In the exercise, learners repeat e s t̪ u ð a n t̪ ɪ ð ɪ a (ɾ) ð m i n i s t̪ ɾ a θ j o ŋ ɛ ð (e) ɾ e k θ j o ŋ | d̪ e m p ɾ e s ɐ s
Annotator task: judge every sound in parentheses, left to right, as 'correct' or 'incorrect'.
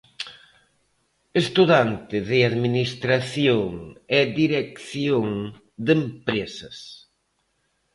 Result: incorrect, incorrect

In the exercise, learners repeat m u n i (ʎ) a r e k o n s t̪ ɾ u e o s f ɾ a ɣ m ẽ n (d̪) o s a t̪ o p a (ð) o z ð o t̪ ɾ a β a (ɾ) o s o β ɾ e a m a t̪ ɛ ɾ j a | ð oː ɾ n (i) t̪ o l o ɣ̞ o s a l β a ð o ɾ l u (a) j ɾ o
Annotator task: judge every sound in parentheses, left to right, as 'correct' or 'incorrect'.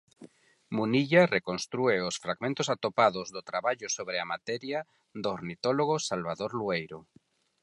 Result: correct, incorrect, correct, incorrect, correct, incorrect

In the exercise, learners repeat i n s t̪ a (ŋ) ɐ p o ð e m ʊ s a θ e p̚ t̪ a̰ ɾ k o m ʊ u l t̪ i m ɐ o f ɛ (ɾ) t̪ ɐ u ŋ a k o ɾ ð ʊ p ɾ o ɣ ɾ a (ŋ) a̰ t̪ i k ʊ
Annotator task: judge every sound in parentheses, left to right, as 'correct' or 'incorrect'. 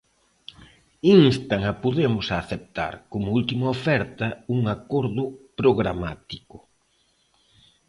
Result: correct, correct, incorrect

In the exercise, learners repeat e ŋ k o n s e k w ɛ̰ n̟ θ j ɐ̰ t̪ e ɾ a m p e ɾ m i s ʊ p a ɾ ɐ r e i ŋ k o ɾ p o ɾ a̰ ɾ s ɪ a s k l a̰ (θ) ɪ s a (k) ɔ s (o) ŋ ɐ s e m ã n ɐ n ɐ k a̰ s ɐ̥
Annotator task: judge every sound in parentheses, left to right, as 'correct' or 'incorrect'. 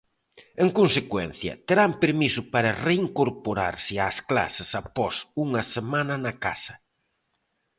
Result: incorrect, incorrect, incorrect

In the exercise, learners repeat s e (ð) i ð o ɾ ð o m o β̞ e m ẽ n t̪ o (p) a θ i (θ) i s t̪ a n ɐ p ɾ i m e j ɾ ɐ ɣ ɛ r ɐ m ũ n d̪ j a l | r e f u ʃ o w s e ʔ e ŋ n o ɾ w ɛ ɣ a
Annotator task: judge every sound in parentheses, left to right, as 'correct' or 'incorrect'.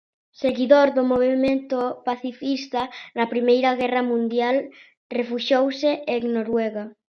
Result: incorrect, correct, incorrect

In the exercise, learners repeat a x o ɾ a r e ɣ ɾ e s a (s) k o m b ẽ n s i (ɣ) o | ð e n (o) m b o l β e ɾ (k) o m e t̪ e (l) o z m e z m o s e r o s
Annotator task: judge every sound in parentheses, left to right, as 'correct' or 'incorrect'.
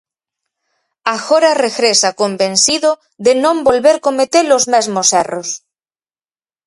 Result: incorrect, incorrect, incorrect, correct, correct

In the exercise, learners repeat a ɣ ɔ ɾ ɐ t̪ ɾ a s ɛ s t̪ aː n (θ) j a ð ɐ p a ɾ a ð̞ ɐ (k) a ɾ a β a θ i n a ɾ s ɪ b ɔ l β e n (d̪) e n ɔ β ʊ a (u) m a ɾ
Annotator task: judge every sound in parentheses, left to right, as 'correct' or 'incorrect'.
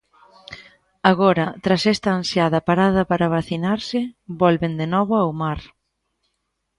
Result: incorrect, incorrect, correct, incorrect

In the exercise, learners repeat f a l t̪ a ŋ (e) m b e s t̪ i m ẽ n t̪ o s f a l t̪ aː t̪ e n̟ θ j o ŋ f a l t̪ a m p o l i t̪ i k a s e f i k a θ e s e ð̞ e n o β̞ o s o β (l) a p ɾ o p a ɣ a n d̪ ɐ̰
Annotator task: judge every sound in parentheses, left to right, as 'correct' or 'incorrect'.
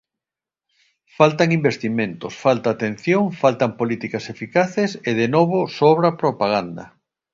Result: incorrect, incorrect

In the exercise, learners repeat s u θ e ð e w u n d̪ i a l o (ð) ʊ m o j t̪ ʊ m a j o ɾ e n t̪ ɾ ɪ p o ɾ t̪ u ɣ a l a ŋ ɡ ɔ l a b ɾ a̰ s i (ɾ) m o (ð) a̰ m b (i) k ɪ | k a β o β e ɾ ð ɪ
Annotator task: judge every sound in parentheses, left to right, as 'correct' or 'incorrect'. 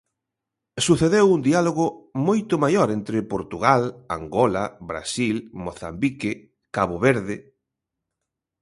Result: incorrect, incorrect, incorrect, correct

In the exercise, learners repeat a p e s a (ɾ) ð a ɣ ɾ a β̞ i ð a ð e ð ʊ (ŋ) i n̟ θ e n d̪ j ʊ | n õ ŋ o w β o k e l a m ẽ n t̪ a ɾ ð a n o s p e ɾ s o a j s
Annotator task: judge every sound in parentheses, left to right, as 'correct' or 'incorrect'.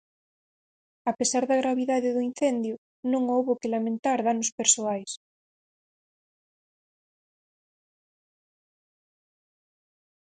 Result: correct, incorrect

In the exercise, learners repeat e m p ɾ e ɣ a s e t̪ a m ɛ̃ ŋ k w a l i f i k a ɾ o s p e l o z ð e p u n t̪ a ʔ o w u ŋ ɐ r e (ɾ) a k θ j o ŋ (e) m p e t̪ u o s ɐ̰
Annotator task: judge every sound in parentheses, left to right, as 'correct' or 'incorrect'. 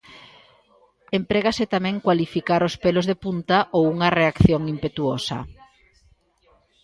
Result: incorrect, incorrect

